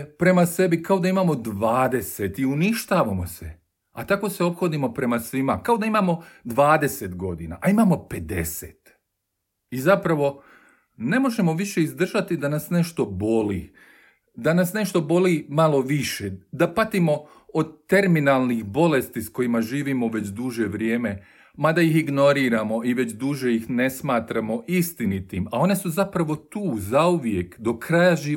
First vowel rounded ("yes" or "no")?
no